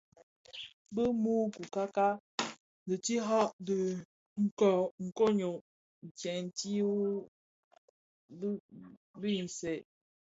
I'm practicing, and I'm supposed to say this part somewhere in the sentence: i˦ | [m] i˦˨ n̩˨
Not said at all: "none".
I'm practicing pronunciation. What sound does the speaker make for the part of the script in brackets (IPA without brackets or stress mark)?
b